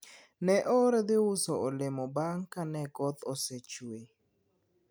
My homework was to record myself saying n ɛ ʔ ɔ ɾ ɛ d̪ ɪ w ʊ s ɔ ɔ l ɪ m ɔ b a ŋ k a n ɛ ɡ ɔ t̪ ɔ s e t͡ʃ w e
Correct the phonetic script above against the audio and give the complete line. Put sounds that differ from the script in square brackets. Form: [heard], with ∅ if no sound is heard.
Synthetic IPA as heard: n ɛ ʔ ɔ ɾ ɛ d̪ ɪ w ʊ s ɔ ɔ l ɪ m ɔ b a ŋ k a n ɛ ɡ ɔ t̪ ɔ s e t͡ʃ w e